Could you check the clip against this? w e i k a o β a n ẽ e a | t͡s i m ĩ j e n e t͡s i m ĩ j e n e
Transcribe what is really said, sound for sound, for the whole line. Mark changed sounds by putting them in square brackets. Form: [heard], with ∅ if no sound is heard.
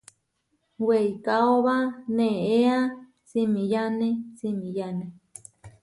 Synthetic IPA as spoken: w e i k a o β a n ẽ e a | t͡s i m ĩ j [a] n e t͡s i m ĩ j [a] n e